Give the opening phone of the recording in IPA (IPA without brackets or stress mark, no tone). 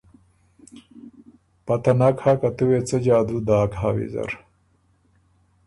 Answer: p